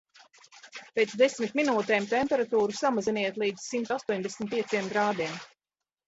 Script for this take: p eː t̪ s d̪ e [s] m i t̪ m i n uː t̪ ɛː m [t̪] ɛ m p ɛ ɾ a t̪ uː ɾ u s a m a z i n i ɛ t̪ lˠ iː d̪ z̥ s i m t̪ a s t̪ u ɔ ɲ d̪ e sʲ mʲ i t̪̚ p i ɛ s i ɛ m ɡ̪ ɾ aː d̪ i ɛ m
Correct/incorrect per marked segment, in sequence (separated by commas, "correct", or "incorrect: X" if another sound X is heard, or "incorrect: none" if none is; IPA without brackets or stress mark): correct, correct